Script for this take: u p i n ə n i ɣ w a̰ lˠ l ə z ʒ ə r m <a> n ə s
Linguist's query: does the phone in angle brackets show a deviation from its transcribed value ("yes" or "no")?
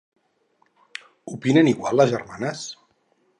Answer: no